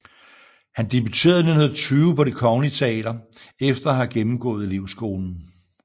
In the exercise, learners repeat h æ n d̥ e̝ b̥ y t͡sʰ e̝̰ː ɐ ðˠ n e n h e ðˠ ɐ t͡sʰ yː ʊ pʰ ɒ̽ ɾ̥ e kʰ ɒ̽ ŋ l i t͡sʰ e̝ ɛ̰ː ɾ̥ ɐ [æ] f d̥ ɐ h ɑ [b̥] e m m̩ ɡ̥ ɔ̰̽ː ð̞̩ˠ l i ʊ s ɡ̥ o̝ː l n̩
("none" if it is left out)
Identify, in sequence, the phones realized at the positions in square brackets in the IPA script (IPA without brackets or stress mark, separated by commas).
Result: e, ɡ̥